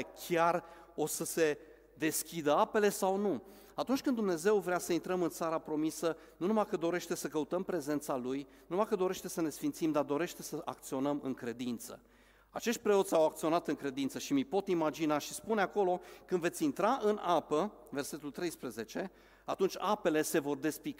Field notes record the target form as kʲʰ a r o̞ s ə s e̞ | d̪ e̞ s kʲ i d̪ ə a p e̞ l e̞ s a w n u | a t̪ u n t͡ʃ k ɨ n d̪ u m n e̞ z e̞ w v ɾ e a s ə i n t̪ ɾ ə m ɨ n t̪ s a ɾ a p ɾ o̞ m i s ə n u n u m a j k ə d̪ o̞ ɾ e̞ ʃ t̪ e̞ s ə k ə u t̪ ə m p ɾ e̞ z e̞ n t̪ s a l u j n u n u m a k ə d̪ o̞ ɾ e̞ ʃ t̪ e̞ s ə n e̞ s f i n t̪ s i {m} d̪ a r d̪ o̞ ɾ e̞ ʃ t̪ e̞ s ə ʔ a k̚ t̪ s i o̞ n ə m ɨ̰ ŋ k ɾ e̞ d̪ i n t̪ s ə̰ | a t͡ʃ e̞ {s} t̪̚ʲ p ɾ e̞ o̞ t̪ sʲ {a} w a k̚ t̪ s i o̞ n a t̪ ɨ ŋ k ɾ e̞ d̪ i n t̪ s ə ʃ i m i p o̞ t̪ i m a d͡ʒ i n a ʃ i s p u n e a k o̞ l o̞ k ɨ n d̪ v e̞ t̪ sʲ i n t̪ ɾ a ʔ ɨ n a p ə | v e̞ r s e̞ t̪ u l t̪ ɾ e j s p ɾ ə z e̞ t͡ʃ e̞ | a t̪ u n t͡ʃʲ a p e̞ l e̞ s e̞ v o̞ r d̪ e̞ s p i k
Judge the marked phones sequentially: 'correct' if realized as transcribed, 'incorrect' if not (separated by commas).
correct, incorrect, correct